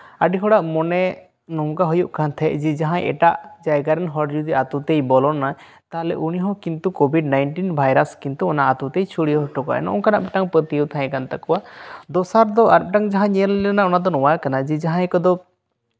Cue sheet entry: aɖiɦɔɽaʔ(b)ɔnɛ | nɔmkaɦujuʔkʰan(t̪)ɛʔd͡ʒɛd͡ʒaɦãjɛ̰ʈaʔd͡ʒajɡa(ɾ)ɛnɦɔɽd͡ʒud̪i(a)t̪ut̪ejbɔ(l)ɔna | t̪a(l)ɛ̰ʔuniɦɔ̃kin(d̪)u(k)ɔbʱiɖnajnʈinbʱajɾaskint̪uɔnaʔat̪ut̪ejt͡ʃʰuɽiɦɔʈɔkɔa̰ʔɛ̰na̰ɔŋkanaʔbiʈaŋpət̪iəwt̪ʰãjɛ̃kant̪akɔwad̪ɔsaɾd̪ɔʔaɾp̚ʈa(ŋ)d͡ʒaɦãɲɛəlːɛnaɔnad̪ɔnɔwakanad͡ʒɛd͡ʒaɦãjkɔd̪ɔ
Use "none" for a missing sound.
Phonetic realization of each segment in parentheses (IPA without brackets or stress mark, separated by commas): m, t̪ʰ, ɾ, a, l, l, t̪, k, ŋ